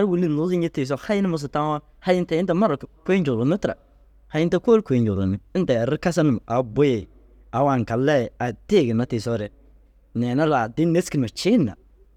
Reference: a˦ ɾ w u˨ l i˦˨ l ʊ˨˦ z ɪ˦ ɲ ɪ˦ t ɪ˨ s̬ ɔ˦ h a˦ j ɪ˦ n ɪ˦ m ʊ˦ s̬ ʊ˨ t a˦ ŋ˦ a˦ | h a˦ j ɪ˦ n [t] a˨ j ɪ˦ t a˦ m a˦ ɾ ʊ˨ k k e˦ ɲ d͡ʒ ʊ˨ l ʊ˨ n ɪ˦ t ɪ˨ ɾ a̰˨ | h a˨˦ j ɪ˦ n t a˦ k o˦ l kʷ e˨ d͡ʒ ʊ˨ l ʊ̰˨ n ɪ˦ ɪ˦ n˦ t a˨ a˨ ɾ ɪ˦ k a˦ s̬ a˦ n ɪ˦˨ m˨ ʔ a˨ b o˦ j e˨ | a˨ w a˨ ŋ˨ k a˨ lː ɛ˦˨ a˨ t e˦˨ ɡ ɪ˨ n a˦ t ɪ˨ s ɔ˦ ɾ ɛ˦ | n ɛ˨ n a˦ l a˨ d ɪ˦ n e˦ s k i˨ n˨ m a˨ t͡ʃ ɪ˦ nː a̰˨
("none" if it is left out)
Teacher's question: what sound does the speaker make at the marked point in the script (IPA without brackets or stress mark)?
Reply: t